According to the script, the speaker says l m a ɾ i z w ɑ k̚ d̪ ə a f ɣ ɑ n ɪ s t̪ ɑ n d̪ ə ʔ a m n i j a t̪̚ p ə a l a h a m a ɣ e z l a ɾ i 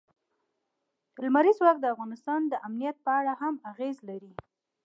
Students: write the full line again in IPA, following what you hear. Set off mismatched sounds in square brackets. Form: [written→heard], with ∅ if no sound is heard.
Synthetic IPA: l m a ɾ i z w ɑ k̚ d̪ ə a f ɣ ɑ n ɪ s t̪ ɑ n d̪ ə ʔ a m n i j a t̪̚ p ə a [l→ɽ] a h a m a ɣ e z l a ɾ i